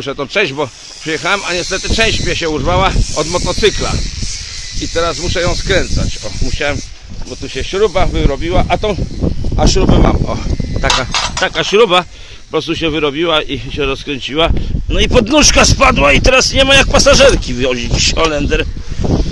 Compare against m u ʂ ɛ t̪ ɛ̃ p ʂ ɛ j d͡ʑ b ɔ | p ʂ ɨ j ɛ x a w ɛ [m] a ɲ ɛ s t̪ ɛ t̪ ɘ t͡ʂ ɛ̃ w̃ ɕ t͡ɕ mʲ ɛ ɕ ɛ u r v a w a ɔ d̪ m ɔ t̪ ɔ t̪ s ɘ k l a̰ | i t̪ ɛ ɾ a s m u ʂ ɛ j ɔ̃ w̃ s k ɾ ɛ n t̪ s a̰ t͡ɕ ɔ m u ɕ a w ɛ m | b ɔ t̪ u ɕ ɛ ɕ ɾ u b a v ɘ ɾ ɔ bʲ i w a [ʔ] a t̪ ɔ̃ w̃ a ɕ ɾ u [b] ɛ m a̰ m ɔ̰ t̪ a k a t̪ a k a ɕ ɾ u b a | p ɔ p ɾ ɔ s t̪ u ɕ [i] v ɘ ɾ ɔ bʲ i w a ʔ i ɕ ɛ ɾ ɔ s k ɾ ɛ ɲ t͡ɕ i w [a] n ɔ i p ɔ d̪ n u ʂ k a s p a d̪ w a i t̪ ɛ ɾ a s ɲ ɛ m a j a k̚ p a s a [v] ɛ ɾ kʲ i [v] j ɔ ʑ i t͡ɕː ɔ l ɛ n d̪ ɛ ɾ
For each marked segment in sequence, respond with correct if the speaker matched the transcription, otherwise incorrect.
correct, correct, correct, incorrect: ɛ, correct, incorrect: ʐ, correct

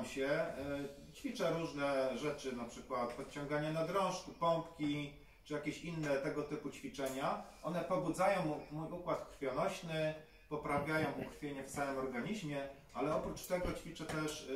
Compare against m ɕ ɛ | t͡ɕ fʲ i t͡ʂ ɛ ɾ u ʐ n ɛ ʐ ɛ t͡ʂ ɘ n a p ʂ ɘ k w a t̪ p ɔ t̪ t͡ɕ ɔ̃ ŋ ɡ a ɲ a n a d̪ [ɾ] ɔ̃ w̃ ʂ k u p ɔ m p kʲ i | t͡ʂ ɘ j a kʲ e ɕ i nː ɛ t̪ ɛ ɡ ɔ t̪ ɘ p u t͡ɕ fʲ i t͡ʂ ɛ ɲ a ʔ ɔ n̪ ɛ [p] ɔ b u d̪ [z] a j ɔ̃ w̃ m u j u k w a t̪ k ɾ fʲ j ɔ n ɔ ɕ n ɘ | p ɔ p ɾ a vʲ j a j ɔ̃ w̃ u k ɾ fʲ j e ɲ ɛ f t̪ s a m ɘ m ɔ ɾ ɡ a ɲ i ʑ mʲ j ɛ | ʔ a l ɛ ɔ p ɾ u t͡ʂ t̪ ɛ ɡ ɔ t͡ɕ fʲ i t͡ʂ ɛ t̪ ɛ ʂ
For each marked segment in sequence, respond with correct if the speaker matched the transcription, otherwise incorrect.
correct, correct, correct

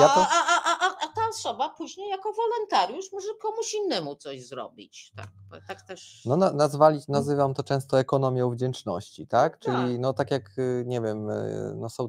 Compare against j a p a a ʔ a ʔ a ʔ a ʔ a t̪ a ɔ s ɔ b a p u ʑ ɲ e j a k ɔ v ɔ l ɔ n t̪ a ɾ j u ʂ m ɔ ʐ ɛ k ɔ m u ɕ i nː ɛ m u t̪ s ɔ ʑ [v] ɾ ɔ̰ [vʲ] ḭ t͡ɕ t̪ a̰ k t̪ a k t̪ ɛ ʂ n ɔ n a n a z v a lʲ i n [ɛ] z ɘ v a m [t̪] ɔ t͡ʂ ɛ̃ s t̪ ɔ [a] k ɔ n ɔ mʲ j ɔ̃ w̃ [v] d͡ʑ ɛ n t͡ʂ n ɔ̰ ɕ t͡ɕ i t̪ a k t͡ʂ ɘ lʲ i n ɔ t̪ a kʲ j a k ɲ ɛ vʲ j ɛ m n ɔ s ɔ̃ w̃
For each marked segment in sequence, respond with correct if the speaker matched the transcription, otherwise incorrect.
incorrect: z, incorrect: bʲ, incorrect: a, correct, incorrect: ɛ, correct

